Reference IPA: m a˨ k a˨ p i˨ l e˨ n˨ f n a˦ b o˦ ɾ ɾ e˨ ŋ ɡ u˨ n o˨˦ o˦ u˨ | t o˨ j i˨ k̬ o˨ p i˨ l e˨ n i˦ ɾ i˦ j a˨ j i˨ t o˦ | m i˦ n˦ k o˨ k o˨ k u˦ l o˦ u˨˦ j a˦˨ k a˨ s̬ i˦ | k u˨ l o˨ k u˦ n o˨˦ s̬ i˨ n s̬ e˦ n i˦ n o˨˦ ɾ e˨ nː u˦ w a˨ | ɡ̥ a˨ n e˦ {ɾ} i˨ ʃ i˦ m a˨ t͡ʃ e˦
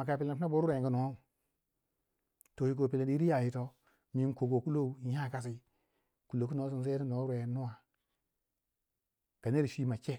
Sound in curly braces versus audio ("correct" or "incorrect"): correct